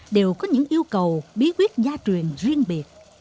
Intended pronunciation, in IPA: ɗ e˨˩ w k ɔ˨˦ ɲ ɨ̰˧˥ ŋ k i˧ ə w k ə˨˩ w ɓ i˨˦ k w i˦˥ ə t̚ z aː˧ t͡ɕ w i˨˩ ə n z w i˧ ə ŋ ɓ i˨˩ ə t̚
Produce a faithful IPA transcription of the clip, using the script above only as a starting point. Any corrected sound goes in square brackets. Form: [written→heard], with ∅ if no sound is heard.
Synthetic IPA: ɗ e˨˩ w k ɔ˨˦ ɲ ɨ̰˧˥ ŋ [k→ʔ] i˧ ə w k ə˨˩ w ɓ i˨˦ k w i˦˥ ə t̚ z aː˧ t͡ɕ w i˨˩ ə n z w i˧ ə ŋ ɓ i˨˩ ə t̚

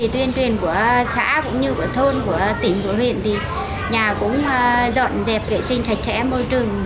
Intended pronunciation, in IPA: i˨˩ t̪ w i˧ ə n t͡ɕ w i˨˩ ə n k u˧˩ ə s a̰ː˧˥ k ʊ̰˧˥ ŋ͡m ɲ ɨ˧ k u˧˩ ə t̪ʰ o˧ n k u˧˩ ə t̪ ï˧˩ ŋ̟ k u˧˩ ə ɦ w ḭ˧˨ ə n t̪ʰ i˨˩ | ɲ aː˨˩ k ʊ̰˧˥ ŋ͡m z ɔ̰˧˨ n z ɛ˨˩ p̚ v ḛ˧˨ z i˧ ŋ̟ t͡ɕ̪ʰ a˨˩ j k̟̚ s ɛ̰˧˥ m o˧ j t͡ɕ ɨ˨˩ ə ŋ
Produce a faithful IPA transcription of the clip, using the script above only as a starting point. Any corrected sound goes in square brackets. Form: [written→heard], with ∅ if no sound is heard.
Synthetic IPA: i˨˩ t̪ w i˧ ə n t͡ɕ w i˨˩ ə n k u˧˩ ə s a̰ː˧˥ k ʊ̰˧˥ ŋ͡m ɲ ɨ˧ k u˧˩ ə t̪ʰ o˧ n k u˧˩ ə t̪ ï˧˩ ŋ̟ k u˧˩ ə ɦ w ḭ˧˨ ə n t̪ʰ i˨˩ | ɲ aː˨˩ k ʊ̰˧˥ ŋ͡m z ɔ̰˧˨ n z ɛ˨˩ p̚ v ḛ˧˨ [z→s] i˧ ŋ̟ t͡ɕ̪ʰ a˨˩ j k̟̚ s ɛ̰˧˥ m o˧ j t͡ɕ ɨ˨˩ ə ŋ

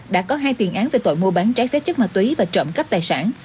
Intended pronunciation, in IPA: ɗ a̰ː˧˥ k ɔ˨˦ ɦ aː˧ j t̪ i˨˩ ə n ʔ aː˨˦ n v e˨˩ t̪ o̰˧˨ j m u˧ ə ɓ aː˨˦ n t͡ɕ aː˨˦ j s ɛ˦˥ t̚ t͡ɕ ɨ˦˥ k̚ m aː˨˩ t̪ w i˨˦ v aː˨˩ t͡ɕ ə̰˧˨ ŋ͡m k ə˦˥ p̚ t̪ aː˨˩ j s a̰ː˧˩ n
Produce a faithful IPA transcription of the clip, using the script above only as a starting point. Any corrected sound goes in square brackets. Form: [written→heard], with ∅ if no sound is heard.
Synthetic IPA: ɗ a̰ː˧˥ k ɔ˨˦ ɦ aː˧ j t̪ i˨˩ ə n ʔ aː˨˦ n v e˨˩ t̪ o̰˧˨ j m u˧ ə ɓ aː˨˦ n t͡ɕ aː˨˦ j s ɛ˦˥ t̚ t͡ɕ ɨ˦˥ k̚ m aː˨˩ t̪ w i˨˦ v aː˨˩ t͡ɕ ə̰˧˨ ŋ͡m k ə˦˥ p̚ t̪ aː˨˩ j s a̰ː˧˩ n

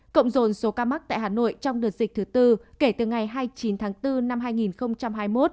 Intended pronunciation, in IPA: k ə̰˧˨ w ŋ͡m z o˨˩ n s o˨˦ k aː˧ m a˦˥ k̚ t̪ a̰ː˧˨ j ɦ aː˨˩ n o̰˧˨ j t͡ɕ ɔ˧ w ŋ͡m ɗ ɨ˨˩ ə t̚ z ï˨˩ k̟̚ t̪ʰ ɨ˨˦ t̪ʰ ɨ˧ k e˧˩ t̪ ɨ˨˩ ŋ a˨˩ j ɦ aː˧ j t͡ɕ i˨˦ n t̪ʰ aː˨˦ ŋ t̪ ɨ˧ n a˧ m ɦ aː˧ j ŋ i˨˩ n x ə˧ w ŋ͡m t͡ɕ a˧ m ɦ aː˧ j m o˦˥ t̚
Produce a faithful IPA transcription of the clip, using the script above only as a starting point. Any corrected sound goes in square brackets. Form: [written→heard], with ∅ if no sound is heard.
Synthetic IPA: k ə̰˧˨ w ŋ͡m z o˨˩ n s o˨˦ k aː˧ m a˦˥ k̚ t̪ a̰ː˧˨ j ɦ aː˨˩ n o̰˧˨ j t͡ɕ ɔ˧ w ŋ͡m ɗ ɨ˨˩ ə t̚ z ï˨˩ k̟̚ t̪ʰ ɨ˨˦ [t̪ʰ→t̪] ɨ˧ k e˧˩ t̪ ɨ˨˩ ŋ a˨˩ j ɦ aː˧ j t͡ɕ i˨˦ n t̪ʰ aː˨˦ ŋ t̪ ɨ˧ n a˧ m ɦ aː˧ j ŋ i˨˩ n x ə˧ w ŋ͡m t͡ɕ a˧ m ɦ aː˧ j m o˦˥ t̚

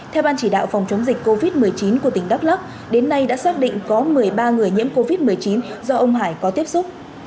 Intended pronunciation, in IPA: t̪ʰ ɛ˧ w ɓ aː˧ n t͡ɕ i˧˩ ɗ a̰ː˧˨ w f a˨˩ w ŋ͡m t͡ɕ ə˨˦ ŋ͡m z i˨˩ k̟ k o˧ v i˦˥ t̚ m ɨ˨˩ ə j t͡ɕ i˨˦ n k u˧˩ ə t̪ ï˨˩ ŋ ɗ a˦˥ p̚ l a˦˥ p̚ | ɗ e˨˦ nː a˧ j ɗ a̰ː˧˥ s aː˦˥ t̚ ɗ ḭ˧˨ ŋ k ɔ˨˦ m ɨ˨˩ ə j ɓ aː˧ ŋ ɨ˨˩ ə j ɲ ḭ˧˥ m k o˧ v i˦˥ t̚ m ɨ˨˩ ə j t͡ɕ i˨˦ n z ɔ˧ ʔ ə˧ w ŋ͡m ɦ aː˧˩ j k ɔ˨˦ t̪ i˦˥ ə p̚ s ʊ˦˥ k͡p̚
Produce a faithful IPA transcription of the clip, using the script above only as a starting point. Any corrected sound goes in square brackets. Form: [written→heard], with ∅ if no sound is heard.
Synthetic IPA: t̪ʰ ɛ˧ w ɓ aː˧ n t͡ɕ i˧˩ ɗ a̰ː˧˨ w f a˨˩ w ŋ͡m t͡ɕ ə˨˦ ŋ͡m z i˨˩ k̟ k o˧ v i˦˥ t̚ m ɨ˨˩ ə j t͡ɕ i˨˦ n k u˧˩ ə t̪ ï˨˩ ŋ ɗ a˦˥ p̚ l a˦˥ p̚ | ɗ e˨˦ nː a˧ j ɗ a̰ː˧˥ s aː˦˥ [t̚→k̚] ɗ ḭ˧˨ ŋ k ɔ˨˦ m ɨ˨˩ ə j ɓ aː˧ ŋ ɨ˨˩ ə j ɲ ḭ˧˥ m k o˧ v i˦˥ t̚ m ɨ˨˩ ə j t͡ɕ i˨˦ n z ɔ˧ ʔ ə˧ w ŋ͡m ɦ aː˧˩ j k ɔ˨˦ t̪ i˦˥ ə p̚ s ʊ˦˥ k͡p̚

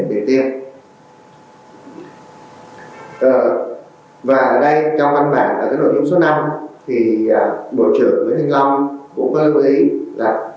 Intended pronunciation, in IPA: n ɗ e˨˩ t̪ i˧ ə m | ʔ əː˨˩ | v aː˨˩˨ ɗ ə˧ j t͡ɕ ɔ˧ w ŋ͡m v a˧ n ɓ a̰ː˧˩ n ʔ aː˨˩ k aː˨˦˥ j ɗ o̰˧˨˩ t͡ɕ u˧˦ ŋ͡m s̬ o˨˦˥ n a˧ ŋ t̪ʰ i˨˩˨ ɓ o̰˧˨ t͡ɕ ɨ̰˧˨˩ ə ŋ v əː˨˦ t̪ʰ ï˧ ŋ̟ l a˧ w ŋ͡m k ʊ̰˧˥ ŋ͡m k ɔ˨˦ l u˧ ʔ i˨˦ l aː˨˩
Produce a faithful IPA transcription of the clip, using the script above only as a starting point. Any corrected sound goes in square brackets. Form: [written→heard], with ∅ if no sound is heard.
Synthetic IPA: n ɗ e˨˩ t̪ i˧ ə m | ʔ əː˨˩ | v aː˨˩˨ ɗ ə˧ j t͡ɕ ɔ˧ w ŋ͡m v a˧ n ɓ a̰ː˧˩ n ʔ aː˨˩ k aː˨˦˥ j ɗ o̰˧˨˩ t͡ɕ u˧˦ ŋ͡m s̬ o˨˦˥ n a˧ [ŋ→m] t̪ʰ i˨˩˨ ɓ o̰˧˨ t͡ɕ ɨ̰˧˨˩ ə ŋ v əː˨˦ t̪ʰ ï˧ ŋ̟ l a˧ w ŋ͡m k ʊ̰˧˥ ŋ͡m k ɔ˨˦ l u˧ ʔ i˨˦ l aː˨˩

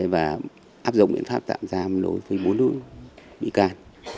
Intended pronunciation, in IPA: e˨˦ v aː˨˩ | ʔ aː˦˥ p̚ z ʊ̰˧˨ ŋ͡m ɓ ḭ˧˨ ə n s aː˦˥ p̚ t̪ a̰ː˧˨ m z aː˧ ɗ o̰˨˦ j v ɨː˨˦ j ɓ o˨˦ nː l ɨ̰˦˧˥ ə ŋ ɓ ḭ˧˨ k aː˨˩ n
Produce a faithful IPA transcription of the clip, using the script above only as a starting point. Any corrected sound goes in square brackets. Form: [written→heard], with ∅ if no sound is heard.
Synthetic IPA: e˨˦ v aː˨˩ | ʔ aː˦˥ p̚ z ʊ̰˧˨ ŋ͡m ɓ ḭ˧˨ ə n [s→f] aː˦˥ p̚ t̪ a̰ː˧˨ m z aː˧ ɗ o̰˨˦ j v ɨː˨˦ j ɓ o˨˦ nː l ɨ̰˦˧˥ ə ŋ ɓ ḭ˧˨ k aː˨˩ n

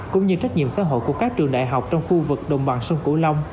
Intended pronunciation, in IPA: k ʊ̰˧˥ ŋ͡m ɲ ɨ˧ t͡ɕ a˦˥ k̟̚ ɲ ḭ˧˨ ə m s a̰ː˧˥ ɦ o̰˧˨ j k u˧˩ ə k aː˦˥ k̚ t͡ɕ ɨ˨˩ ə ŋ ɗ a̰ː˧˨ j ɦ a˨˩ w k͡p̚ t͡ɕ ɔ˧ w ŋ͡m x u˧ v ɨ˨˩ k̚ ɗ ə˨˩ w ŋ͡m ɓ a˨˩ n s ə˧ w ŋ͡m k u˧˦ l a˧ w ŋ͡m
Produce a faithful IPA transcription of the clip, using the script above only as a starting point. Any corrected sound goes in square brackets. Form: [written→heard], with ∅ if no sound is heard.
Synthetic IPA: k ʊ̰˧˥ ŋ͡m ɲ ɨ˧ t͡ɕ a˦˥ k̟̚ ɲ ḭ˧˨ ə m s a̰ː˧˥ ɦ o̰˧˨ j k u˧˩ ə k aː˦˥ k̚ t͡ɕ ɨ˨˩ ə ŋ ɗ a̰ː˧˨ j ɦ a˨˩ w k͡p̚ t͡ɕ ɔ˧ w ŋ͡m x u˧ v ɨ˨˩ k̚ ɗ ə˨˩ w ŋ͡m ɓ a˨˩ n s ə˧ w ŋ͡m k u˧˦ l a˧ w ŋ͡m

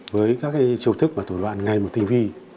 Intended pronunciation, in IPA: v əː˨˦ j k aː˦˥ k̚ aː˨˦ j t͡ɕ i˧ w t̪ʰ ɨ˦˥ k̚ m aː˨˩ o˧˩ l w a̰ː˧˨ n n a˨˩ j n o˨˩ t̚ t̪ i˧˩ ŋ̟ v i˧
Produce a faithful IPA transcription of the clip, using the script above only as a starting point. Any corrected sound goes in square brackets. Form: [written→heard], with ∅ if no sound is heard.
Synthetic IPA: v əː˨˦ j k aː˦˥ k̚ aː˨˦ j t͡ɕ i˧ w t̪ʰ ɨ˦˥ k̚ m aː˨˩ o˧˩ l w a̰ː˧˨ n [n→ŋ] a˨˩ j [n→m] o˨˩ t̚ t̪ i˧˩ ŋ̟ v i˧

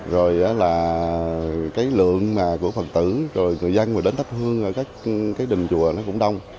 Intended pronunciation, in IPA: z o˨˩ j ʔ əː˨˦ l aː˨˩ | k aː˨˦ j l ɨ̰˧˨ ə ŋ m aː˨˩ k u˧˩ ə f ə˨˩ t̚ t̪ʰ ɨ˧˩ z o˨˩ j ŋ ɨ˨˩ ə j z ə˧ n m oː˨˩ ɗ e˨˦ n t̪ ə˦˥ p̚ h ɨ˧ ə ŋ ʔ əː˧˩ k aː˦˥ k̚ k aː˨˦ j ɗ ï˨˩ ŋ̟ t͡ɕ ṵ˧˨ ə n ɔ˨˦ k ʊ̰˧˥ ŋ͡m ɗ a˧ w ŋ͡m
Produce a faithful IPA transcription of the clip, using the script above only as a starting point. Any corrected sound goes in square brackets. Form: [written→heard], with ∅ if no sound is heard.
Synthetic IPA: z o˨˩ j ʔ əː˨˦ l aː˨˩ | k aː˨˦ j l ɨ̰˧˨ ə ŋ m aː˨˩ k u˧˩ ə f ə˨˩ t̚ [t̪ʰ→t̪] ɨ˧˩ z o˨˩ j ŋ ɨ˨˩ ə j z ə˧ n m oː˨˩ ɗ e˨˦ n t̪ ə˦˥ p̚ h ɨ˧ ə ŋ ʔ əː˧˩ k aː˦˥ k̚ k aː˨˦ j ɗ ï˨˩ ŋ̟ t͡ɕ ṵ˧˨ ə n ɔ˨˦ k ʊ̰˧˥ ŋ͡m ɗ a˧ w ŋ͡m

